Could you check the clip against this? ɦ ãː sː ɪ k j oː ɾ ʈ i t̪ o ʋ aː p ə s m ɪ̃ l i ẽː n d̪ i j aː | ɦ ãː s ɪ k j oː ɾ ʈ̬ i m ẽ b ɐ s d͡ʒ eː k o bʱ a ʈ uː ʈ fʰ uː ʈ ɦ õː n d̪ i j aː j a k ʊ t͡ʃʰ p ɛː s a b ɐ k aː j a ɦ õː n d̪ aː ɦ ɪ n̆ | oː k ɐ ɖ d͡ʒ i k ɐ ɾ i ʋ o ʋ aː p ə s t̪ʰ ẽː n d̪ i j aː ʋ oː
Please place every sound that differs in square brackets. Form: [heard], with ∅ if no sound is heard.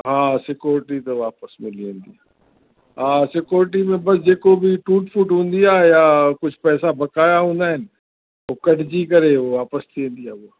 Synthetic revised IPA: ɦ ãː [s] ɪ k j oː ɾ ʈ i t̪ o ʋ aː p ə s m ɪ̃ l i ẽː n d̪ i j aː | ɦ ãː s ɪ k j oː ɾ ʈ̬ i m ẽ b ɐ s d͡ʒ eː k o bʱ [i] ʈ uː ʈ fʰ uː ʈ ɦ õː n d̪ i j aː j a k ʊ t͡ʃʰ p ɛː s a b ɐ k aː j a ɦ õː n d̪ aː ɦ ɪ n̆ | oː k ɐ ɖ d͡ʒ i k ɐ ɾ [e] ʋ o ʋ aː p ə s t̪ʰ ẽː n d̪ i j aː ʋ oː